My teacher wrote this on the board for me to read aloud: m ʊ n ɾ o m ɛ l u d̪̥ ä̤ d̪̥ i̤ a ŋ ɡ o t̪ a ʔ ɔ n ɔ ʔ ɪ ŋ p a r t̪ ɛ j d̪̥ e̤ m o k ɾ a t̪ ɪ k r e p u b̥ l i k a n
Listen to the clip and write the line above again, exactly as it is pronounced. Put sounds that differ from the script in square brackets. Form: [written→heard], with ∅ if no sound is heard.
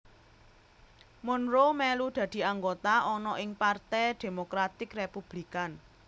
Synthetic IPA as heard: m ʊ n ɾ o m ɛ l u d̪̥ ä̤ d̪̥ i̤ a ŋ ɡ o t̪ a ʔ ɔ n ɔ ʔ ɪ ŋ p a r t̪ ɛ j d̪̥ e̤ m o k ɾ a t̪ ɪ k r e p u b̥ l i k a n